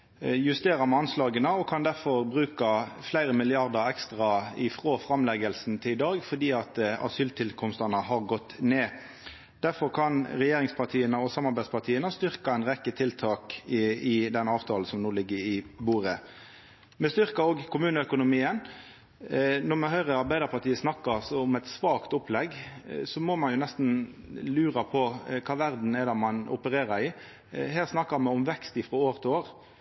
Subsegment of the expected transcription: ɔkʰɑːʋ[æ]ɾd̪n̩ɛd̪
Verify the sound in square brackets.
correct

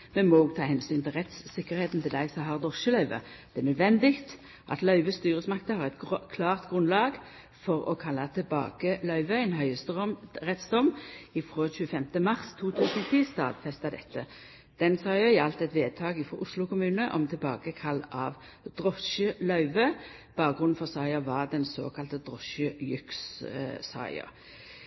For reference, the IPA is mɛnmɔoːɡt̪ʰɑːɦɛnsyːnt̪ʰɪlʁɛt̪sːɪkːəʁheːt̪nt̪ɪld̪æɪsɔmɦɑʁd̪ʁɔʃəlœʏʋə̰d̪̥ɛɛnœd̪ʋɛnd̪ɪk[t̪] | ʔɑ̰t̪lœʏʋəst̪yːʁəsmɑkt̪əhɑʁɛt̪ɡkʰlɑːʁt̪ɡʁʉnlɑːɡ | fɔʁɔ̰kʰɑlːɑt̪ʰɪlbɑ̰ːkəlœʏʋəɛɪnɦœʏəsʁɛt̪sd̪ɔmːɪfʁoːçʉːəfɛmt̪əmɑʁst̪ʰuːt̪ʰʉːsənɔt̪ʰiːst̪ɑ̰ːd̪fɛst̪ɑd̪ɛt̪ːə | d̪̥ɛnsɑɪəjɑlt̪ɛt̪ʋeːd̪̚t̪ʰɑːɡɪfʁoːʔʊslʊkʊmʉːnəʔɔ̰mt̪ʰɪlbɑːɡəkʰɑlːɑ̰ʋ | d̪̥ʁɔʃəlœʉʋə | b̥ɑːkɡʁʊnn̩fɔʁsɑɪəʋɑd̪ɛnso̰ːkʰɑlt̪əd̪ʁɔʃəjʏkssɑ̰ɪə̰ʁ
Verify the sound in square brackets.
correct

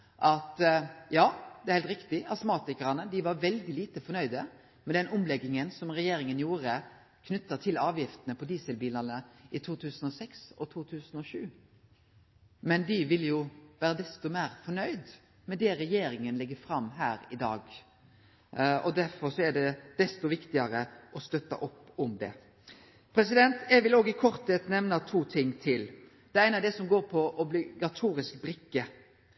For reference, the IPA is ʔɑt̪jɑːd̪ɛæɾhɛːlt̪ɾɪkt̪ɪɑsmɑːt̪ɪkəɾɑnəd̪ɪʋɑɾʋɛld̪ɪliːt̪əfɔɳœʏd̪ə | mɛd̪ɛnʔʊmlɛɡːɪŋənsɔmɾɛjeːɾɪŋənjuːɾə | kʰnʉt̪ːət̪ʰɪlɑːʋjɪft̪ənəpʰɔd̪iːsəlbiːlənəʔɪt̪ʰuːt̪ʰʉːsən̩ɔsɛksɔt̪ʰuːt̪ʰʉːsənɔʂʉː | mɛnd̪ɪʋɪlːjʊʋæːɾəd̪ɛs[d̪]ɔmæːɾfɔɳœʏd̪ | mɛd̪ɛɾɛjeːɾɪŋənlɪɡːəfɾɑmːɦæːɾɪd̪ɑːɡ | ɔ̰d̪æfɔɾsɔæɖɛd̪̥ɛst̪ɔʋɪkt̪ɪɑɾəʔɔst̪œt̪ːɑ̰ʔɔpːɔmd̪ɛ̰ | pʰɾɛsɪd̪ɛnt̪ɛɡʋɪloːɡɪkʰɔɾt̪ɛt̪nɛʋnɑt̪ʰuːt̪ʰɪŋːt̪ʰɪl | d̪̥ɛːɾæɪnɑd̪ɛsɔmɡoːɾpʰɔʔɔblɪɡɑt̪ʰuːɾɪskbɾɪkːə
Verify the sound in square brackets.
incorrect: t̪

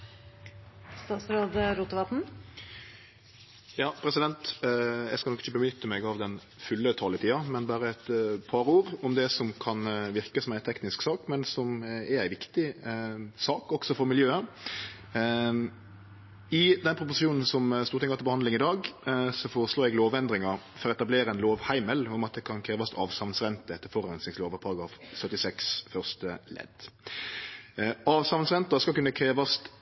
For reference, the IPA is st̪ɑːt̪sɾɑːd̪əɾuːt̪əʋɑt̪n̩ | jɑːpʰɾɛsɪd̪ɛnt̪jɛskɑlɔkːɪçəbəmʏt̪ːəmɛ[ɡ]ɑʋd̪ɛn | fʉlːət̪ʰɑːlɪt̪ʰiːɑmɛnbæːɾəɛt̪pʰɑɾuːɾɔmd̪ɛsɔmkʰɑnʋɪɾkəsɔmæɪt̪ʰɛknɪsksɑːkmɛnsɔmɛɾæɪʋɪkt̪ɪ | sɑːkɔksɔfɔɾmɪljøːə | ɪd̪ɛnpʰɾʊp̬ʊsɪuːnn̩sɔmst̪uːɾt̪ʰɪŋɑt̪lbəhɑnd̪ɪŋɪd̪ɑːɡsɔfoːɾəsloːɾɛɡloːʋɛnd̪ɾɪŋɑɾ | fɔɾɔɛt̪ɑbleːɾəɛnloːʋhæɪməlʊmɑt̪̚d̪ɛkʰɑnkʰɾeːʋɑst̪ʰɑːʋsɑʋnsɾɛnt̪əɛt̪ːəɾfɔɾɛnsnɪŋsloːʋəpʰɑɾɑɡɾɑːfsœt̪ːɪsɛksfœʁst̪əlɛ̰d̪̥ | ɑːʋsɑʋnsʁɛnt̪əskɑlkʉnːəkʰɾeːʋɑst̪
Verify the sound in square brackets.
correct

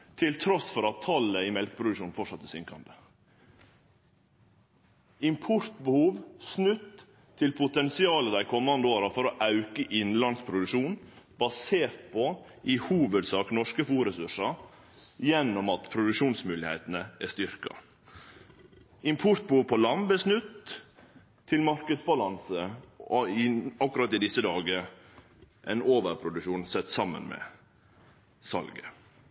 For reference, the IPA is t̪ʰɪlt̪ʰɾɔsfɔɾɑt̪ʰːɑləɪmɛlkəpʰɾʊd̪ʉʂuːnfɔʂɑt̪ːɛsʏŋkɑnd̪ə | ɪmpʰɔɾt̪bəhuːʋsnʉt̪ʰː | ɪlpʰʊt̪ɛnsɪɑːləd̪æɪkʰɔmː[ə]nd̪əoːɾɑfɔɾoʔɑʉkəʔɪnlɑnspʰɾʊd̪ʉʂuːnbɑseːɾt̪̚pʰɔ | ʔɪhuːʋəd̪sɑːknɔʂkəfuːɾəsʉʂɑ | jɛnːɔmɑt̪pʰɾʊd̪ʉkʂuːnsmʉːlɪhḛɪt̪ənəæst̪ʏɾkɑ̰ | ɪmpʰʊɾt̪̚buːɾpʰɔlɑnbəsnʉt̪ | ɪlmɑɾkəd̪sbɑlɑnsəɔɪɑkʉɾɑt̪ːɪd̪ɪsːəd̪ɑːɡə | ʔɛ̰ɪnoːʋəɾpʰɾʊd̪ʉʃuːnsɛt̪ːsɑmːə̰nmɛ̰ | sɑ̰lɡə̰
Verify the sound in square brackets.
incorrect: ɑ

